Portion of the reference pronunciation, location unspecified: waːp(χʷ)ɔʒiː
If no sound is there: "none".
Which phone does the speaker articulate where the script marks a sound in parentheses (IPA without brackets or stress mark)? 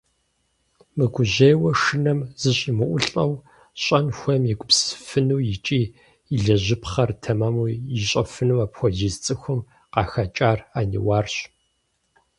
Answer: xʷ